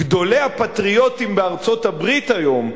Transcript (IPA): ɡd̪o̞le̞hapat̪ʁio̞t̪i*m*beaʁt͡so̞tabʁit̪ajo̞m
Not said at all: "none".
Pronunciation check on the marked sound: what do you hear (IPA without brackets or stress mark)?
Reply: m